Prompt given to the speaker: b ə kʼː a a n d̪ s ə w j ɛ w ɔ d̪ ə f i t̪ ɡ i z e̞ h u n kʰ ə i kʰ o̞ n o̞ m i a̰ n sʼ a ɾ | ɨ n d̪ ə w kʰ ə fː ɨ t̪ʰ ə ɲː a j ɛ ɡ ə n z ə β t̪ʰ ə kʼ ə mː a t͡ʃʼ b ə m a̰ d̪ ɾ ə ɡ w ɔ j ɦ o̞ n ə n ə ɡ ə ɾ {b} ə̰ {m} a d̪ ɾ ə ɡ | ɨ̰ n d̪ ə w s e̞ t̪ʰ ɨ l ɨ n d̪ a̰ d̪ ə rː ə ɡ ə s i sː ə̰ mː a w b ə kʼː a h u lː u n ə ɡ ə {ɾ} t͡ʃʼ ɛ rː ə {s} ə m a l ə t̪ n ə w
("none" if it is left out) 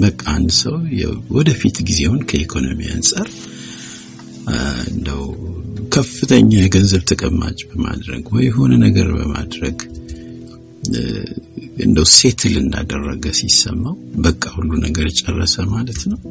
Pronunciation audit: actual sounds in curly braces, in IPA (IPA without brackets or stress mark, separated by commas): b, m, ɾ, s